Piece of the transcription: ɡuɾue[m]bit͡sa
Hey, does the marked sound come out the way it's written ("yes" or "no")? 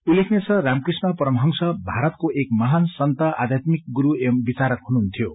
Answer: yes